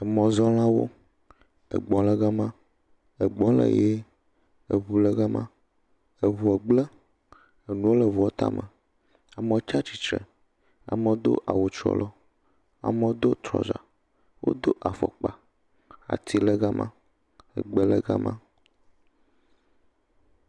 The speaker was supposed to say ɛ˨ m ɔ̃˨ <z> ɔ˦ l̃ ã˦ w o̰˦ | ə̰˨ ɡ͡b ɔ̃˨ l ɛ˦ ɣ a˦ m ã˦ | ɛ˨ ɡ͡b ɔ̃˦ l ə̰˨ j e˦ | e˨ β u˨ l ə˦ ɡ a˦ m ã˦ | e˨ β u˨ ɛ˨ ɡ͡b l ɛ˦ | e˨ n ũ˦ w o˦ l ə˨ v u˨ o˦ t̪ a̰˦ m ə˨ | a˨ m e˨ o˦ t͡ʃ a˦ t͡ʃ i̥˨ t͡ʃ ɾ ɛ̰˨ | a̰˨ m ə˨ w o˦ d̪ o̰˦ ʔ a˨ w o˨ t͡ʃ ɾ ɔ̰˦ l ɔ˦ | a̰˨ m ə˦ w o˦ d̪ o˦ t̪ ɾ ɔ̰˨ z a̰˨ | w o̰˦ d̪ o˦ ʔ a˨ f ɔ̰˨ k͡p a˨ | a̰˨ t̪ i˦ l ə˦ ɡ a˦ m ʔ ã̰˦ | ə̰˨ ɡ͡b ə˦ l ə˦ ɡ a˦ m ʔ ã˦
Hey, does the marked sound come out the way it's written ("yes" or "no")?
yes